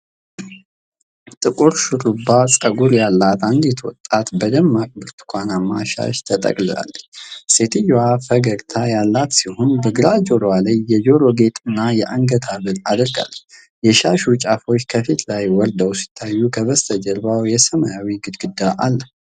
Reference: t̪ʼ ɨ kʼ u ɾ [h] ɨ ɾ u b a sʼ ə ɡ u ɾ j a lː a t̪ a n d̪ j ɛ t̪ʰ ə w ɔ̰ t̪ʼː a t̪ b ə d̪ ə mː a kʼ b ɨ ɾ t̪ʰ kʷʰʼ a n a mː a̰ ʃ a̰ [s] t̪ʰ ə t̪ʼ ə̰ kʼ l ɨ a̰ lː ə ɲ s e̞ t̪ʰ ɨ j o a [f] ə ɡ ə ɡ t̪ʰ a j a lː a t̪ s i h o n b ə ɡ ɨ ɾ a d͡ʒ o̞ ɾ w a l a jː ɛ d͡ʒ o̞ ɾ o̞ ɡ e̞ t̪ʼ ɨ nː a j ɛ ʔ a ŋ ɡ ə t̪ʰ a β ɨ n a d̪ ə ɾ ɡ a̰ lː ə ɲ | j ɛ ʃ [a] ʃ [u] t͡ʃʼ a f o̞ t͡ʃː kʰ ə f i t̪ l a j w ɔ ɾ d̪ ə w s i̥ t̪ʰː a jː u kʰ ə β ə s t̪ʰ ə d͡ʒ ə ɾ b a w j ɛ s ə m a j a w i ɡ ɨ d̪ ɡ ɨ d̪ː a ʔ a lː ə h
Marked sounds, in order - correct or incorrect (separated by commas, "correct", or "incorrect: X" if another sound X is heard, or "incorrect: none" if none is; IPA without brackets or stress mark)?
incorrect: ʃ, incorrect: ʃ, correct, correct, correct